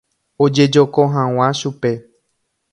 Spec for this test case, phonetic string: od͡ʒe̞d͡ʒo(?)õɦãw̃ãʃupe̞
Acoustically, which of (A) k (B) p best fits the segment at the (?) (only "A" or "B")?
A